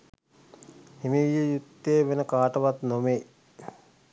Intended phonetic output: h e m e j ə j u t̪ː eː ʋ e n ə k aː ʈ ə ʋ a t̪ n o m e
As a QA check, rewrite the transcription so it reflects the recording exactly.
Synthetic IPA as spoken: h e m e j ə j u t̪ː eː ʋ e n ə k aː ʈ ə ʋ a t̪ n o m e